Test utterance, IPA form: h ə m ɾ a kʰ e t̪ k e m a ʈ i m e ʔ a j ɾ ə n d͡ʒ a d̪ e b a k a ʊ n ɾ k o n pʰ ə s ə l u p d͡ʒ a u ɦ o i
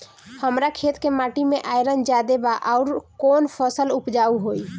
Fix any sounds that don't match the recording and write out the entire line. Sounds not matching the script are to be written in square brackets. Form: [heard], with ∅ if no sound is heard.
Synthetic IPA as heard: h ə m ɾ a kʰ e t̪ k e m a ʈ i m e ʔ a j ɾ ə n d͡ʒ a d̪ e b a [ʔ] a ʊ [∅] ɾ k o n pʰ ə s ə l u p d͡ʒ a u ɦ o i